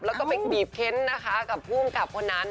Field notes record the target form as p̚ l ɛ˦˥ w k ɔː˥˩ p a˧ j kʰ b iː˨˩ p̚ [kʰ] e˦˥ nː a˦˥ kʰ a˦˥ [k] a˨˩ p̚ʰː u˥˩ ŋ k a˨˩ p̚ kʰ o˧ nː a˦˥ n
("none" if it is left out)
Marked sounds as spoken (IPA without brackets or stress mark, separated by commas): kʰ, k